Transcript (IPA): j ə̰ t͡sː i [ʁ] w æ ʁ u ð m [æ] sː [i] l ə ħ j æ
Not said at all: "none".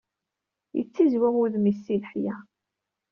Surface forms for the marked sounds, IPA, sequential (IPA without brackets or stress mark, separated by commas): z, i, i